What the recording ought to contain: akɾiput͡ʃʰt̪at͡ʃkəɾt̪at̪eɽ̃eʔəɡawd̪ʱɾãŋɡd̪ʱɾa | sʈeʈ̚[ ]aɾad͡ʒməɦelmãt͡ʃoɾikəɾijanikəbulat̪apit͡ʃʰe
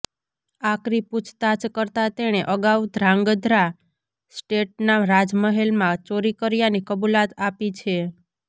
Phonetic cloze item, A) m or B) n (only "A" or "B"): B